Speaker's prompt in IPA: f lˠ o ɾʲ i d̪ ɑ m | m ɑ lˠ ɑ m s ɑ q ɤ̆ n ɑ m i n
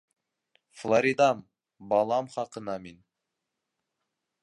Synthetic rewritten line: f lˠ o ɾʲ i d̪ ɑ m | b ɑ lˠ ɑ m χ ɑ q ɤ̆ n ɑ m i n